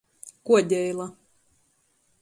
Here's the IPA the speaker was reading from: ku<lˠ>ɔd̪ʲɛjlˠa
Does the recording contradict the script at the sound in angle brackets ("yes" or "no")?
yes